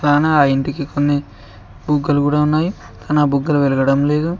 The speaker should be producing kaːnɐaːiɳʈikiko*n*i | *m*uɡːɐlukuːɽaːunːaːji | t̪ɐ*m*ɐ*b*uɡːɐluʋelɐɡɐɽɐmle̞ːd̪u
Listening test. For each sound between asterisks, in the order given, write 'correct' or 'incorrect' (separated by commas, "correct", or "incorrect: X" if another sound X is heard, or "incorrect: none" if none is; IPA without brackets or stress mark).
incorrect: nː, incorrect: b, incorrect: n, correct